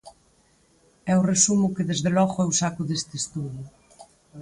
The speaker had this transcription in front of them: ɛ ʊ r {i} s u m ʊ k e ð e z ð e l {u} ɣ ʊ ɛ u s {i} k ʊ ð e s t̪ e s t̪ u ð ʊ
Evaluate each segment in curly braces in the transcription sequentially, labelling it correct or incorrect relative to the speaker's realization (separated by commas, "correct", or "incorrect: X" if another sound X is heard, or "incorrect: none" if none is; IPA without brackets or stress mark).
incorrect: e, incorrect: ɔ, incorrect: a